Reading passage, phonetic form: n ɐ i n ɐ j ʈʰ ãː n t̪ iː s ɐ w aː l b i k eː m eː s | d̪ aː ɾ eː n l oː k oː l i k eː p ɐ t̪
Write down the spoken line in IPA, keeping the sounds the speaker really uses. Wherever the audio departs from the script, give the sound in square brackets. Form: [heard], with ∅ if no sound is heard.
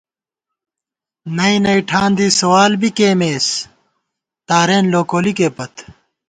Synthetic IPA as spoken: n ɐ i n ɐ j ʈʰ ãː n [d̪] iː s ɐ w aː l b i k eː m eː s | [t̪] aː ɾ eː n l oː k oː l i k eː p ɐ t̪